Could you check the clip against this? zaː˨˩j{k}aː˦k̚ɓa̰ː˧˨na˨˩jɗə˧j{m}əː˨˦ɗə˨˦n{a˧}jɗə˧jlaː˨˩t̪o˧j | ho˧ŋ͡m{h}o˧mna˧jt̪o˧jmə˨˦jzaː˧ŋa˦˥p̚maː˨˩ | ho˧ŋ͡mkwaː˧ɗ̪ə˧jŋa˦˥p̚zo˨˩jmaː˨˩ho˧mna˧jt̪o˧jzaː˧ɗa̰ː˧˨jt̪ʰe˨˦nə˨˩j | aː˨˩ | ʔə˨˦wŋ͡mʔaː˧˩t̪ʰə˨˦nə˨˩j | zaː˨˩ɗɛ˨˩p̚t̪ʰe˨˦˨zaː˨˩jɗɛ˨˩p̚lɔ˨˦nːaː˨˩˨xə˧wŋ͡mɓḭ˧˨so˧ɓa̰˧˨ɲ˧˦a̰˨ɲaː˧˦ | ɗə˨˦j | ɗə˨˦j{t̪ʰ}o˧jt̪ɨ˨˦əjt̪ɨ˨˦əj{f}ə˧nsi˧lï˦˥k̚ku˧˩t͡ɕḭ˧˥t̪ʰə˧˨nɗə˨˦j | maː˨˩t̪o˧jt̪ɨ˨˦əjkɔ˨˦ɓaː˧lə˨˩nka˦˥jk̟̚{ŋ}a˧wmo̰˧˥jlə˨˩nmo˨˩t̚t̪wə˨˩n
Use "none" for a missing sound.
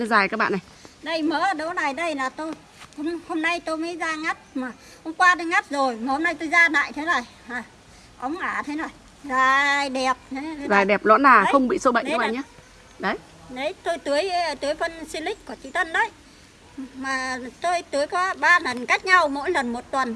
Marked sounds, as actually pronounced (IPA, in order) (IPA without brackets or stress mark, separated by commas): k, m, a˨˩, h, t̪, f, ɲ